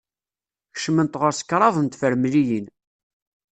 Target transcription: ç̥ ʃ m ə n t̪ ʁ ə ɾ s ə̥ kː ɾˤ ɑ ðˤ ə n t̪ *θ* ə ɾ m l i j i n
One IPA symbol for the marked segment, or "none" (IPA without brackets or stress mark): f